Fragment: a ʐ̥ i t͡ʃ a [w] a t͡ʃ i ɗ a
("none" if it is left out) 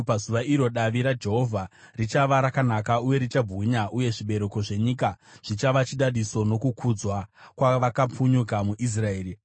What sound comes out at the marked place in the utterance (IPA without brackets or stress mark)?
ʋ